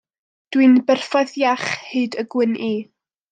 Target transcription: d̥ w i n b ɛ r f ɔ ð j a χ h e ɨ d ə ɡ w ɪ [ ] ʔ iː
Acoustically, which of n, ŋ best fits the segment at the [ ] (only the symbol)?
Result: n